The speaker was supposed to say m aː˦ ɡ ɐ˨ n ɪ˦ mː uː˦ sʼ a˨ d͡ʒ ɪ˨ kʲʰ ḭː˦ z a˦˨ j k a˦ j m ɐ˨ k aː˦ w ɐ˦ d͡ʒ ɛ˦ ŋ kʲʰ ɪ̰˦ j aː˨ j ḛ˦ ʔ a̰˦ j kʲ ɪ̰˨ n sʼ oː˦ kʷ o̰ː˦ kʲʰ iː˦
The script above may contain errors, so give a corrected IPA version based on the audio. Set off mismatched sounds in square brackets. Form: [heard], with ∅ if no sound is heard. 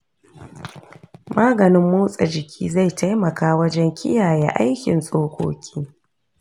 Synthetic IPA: m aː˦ ɡ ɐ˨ n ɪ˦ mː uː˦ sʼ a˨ d͡ʒ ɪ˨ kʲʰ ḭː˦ z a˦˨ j [t] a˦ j m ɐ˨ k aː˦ w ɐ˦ d͡ʒ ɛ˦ ŋ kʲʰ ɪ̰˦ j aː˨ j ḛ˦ ʔ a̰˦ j kʲ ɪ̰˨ n sʼ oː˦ kʷ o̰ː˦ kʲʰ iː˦